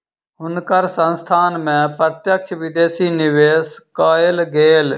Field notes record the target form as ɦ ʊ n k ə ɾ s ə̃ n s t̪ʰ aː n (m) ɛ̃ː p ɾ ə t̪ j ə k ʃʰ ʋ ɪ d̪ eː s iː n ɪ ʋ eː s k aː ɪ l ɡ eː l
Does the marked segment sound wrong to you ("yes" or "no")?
no